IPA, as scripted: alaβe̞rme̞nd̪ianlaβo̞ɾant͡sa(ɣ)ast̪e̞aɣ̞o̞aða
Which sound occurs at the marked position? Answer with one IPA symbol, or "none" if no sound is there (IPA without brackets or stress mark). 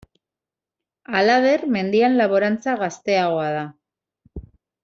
ɣ